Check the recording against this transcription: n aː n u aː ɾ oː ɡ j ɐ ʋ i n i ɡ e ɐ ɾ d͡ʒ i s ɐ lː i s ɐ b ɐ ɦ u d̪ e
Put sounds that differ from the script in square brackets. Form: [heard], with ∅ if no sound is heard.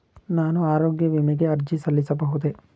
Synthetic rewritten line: n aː n u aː ɾ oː ɡ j ɐ ʋ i [m] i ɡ e ɐ ɾ d͡ʒ i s ɐ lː i s ɐ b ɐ ɦ u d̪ e